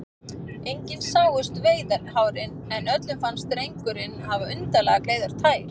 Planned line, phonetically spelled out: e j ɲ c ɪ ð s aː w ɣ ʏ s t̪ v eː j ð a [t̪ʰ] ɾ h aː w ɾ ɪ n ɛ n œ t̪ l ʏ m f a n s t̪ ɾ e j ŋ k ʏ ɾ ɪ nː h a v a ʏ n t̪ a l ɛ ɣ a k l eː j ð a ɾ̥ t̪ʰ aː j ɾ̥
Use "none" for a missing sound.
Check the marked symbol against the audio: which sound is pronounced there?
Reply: none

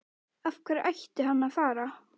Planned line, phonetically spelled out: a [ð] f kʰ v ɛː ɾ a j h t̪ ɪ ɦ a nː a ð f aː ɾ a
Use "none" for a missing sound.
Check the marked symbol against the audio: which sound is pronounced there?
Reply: none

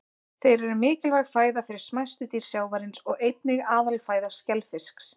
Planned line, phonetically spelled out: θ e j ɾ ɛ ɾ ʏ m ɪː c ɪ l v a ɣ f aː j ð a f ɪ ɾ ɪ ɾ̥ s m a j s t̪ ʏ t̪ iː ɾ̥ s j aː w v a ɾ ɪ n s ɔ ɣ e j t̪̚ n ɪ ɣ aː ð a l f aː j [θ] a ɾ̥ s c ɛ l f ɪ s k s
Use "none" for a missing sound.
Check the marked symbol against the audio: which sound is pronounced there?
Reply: ð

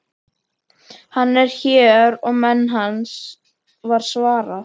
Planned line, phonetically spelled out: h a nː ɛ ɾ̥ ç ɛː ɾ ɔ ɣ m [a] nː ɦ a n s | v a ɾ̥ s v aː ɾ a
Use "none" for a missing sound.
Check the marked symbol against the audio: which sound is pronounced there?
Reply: ɛ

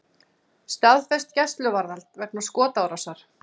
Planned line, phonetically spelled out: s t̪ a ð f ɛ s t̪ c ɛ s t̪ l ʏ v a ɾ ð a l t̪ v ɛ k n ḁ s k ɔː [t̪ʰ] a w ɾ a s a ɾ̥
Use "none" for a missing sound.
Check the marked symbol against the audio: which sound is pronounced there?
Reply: t̪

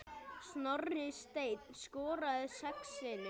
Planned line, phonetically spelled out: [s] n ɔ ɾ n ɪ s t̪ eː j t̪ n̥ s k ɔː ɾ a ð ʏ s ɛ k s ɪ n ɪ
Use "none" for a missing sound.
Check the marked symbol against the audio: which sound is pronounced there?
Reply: s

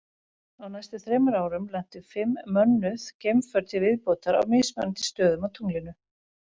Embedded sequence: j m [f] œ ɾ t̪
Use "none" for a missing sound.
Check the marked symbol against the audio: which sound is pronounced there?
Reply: f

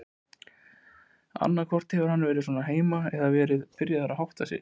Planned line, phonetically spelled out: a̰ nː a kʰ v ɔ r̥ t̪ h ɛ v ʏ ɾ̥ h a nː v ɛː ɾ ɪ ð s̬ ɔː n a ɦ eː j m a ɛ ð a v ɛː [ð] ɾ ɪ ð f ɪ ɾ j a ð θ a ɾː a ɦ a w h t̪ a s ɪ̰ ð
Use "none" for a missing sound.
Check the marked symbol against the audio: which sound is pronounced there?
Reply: none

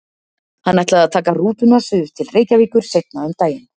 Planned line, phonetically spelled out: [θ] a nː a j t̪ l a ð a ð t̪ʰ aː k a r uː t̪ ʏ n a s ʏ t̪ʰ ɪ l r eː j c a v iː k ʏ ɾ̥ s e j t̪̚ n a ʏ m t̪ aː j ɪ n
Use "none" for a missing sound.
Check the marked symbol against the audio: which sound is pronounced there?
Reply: h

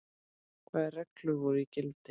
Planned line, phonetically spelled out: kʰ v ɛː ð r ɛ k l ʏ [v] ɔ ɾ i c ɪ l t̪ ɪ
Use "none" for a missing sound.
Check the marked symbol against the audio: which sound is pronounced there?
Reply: v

